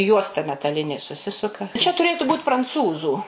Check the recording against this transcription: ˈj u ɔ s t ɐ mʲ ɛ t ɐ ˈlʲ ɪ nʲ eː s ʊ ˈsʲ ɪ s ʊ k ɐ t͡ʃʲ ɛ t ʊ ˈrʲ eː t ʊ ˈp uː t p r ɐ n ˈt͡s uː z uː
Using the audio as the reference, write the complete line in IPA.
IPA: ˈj u ɔ s t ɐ mʲ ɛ t ɐ ˈlʲ ɪ nʲ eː s ʊ ˈsʲ ɪ s ʊ k ɐ t͡ʃʲ ɛ t ʊ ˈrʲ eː t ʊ ˈb uː t p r ɐ n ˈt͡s uː z uː